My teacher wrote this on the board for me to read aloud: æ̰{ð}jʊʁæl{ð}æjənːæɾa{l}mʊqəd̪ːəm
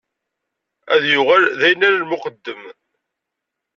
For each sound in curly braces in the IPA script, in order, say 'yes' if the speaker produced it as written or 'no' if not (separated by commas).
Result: yes, yes, yes